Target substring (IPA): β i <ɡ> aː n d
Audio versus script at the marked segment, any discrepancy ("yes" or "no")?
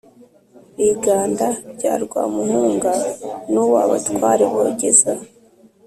no